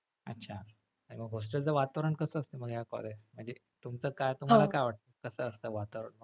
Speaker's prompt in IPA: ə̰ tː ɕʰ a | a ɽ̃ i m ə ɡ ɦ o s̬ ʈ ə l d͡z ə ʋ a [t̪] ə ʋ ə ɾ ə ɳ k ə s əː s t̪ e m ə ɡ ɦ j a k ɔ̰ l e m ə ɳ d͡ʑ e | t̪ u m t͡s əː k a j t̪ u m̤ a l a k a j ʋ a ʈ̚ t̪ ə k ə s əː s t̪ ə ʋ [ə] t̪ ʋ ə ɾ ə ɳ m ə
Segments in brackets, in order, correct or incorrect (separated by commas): correct, incorrect